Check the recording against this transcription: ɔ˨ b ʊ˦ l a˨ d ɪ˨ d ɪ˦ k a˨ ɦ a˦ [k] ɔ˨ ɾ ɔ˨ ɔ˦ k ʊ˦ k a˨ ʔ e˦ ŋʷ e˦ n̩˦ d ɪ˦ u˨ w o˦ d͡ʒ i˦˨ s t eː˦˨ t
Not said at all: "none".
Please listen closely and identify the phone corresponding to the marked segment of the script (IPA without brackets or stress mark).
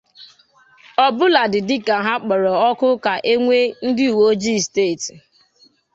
k͡p